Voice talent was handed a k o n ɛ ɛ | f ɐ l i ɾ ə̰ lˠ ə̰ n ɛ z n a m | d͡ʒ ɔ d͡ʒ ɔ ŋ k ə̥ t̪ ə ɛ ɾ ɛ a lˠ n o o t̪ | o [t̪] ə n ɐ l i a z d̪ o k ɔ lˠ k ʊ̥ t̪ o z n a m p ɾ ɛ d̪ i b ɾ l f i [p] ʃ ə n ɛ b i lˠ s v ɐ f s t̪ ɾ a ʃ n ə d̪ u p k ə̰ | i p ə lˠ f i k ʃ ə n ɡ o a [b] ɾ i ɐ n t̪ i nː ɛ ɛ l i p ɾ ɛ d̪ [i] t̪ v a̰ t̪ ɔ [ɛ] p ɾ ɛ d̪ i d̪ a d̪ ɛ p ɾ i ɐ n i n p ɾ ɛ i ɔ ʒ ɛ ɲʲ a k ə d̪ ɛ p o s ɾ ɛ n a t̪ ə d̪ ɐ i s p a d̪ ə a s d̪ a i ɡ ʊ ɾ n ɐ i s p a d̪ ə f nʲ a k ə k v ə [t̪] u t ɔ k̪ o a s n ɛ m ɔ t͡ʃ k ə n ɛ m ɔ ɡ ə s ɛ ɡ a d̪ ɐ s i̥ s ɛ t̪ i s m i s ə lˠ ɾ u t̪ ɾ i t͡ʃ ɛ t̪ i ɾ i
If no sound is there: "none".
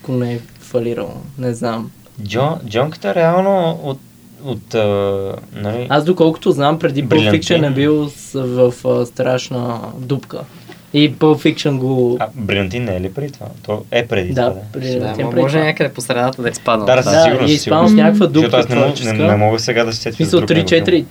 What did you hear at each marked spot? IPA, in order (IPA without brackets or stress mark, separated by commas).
t̪, k, b, i, ɛ, d̪